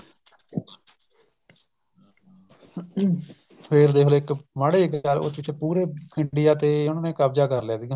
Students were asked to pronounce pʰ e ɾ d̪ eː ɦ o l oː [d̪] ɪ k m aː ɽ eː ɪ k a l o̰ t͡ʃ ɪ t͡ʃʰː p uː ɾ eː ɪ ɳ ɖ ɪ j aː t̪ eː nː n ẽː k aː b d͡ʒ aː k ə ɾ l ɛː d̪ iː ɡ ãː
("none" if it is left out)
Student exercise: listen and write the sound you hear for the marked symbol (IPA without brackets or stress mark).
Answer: none